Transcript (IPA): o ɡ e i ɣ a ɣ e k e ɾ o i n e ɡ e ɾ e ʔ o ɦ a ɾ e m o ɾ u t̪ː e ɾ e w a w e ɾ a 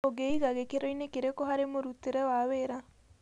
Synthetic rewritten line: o ɡ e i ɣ a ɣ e k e ɾ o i n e k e ɾ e k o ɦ a ɾ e m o ɾ u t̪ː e ɾ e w a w e ɾ a